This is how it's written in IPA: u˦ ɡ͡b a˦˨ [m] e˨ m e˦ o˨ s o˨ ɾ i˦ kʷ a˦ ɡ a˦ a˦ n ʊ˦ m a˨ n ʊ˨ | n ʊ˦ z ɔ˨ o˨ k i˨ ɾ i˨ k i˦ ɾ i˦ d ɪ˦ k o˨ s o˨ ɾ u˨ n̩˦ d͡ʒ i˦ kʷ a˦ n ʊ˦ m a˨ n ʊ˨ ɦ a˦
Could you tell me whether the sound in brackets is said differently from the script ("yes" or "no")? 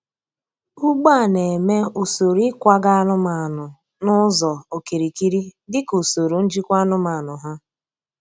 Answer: yes